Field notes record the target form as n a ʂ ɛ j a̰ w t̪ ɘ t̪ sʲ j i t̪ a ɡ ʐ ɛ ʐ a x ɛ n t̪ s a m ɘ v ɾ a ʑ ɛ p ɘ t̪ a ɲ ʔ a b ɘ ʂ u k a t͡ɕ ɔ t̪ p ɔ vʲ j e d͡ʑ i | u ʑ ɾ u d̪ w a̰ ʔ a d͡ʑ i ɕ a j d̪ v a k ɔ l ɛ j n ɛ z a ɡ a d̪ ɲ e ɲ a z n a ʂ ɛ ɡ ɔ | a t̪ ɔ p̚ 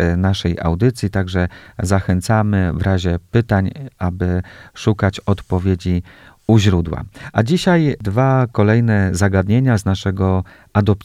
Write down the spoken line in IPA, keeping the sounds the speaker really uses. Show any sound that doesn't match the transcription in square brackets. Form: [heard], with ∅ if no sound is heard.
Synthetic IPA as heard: n a ʂ ɛ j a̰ w [d̪] ɘ t̪ sʲ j i t̪ a ɡ ʐ ɛ [z] a x ɛ n t̪ s a m ɘ v ɾ a ʑ ɛ p ɘ t̪ a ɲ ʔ a b ɘ ʂ u k a t͡ɕ ɔ t̪ p ɔ vʲ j e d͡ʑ i | u ʑ ɾ u d̪ w a̰ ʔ a d͡ʑ i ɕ a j d̪ v a k ɔ l ɛ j n ɛ z a ɡ a d̪ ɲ e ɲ a z n a ʂ ɛ ɡ ɔ | a [d̪] ɔ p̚